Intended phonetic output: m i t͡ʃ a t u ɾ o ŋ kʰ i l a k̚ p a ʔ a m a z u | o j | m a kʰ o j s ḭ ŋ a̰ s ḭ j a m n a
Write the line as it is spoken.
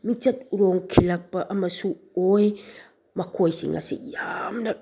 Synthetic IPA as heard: m i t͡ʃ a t u ɾ o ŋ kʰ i l a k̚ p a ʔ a m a s u | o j | m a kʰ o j s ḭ ŋ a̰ s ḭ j a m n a

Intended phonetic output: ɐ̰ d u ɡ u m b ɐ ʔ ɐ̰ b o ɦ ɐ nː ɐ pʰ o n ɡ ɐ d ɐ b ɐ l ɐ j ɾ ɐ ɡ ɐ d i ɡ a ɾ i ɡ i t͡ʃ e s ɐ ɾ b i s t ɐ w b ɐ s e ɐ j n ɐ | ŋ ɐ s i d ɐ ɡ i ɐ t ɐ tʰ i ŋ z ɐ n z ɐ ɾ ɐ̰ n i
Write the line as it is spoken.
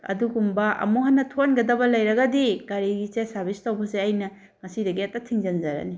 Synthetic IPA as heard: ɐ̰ d u ɡ u m b ɐ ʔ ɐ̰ m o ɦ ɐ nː ɐ tʰ o n ɡ ɐ d ɐ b ɐ l ɐ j ɾ ɐ ɡ ɐ d i ɡ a ɾ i ɡ i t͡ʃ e s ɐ ɾ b i s t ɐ w b ɐ s e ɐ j n ɐ | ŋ ɐ s i d ɐ ɡ i ɐ t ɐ tʰ i ŋ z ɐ n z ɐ ɾ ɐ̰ n i

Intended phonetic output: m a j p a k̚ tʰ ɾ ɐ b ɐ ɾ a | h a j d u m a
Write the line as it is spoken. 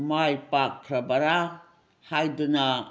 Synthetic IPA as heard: m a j p a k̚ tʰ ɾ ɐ b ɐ ɾ a | h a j d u n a

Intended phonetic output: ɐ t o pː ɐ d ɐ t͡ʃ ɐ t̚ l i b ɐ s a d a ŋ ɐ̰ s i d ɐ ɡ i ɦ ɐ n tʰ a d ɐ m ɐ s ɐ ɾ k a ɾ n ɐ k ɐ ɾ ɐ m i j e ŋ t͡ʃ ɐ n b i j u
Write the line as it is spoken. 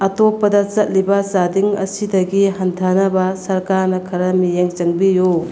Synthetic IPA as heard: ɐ t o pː ɐ d ɐ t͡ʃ ɐ t̚ l i b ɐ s a d i ŋ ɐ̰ s i d ɐ ɡ i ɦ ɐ n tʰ a n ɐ b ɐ s ɐ ɾ k a ɾ n ɐ kʰ ɐ ɾ ɐ m i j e ŋ t͡ʃ ɐ ŋ b i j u

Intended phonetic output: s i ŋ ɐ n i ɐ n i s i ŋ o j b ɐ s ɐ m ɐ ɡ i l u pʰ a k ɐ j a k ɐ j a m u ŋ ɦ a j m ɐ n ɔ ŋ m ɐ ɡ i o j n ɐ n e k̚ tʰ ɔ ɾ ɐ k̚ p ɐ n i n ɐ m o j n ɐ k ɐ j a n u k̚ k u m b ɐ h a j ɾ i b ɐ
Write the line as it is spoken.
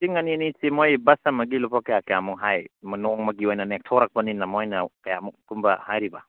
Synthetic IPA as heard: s i ŋ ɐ n i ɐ n i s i m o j b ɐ s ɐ m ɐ ɡ i l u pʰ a k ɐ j a k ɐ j a m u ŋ ɦ a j m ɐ n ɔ ŋ m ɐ ɡ i o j n ɐ n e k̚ tʰ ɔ ɾ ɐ k̚ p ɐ n i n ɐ m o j n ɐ k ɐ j a m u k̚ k u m b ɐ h a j ɾ i b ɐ

